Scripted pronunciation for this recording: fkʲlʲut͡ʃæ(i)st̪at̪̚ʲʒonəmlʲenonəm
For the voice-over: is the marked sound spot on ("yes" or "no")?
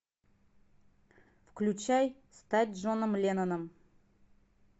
no